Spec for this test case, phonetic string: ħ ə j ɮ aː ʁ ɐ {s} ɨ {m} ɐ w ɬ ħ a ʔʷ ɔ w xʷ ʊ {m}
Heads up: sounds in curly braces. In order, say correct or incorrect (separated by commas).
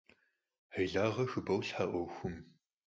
incorrect, incorrect, correct